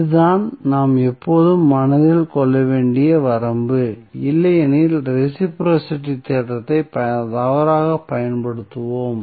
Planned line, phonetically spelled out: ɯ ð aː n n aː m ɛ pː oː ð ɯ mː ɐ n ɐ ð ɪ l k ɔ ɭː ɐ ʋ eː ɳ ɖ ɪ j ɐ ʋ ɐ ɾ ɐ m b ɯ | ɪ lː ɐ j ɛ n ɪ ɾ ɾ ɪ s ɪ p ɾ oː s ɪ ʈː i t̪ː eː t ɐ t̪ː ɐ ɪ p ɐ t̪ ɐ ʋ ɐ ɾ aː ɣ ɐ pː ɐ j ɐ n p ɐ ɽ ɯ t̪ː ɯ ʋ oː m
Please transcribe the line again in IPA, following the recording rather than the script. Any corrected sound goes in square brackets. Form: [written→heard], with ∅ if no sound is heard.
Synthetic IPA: ɯ ð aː n n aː m ɛ pː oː ð ɯ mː ɐ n ɐ ð ɪ l k ɔ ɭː ɐ ʋ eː ɳ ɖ ɪ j ɐ ʋ ɐ ɾ ɐ m b ɯ | ɪ lː ɐ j ɛ n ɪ [ɾ→l] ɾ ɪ s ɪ p ɾ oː s ɪ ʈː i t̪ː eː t ɐ t̪ː ɐ ɪ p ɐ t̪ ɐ ʋ ɐ ɾ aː ɣ ɐ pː ɐ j ɐ n p ɐ ɽ ɯ t̪ː ɯ ʋ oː m